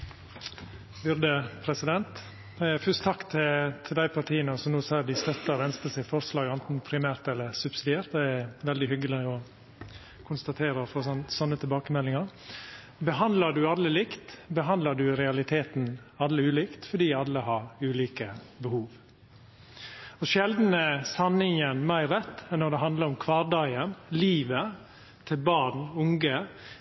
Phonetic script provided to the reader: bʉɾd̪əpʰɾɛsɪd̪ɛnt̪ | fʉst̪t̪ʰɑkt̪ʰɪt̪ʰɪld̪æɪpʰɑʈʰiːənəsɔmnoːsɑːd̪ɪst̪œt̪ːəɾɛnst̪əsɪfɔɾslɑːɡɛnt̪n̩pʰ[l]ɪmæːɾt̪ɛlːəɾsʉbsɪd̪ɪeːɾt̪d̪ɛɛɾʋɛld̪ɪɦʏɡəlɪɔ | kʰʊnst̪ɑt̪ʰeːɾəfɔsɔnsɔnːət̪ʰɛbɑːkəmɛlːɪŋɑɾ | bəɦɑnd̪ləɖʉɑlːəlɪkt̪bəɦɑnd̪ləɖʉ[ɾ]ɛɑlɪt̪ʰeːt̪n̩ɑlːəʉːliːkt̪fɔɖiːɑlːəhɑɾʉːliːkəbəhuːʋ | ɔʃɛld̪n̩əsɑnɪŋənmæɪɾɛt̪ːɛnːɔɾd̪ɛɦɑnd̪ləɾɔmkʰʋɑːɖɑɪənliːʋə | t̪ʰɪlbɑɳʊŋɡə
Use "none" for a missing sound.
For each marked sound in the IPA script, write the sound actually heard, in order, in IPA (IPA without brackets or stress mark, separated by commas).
ɾ, ɾ